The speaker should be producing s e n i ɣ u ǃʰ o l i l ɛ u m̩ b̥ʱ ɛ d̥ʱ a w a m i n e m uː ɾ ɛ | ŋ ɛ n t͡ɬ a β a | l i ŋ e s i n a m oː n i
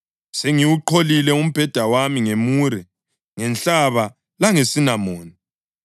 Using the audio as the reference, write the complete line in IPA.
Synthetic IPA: s e ŋ i w u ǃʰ o l i l ɛ u m̩ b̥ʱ ɛ d̥ʱ a w a m i ŋ e m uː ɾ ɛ | ŋ ɛ n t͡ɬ a β a | l a ŋ e s i n a m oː n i

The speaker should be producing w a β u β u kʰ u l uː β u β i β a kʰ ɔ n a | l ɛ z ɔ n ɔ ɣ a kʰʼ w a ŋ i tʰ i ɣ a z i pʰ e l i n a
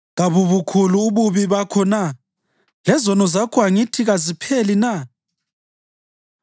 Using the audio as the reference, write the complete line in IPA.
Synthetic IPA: ɣ a β u β u kʰ u l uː β u β i β a kʰ ɔ n a | l ɛ z ɔ n ɔ z a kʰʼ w a ŋ i tʰ i ɣ a z i pʰ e l i n a

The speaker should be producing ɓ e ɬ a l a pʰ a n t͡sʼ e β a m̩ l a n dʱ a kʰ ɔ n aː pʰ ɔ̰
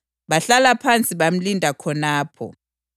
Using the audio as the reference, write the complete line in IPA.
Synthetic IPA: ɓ a ɬ a l a pʰ a n t͡sʼ i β a m̩ l i n dʱ a kʰ ɔ n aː pʰ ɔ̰

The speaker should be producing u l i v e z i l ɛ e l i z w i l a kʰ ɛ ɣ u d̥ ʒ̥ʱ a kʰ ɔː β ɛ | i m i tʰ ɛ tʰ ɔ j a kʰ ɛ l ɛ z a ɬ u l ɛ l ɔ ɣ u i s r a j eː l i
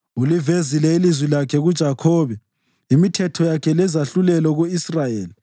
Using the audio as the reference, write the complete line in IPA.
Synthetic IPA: u l i v e z i l ɛ i l i z w i l a kʰ ɛ ɣ u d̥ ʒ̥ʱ a kʰ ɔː β ɛ | i m i tʰ ɛ tʰ ɔ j a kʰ ɛ l ɛ z a ɬ u l ɛ l ɔ ɣ u i s r a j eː l i

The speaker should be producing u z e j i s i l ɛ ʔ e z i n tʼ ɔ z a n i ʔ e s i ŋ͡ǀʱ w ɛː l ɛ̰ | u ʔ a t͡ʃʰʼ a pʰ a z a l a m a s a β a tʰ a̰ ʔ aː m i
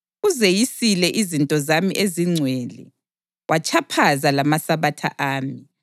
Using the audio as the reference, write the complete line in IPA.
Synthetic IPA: u z e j i s i l ɛ ʔ i z i n tʼ ɔ z a m i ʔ e z i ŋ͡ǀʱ w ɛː l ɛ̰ | w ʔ a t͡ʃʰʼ a pʰ a z a l a m a s a β a tʰ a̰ ʔ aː m i

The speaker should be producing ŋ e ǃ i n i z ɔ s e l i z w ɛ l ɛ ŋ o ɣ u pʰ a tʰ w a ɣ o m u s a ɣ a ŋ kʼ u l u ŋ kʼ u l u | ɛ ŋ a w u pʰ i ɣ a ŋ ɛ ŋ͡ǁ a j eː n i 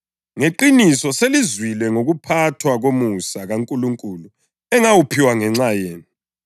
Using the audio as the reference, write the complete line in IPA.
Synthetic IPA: ŋ e ǃ i n i s ɔ s e l i z w i l ɛ ŋ o ɣ u pʰ a tʰ w a ɣ o m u s a ɣ a ŋ kʼ u l u ŋ kʼ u l u | ɛ ŋ a w u pʰ i w a ŋ ɛ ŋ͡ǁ a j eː n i

